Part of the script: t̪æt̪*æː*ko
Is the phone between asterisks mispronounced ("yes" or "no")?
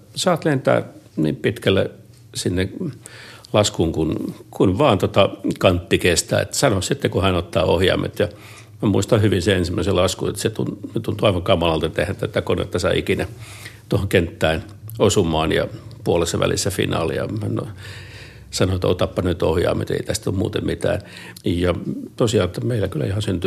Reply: yes